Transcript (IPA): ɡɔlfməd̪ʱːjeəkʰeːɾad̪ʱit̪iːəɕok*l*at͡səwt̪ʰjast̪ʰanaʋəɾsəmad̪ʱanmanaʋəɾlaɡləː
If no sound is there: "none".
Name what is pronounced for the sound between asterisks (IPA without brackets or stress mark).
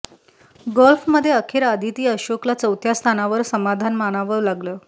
l